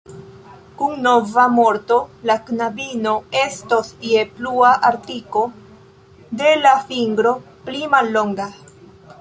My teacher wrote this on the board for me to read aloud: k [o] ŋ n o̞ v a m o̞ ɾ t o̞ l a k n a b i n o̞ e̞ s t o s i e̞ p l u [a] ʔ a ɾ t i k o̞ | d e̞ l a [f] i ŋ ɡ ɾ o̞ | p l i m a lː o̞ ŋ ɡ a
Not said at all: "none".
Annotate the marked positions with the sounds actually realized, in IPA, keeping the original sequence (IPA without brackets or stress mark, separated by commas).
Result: u, a, f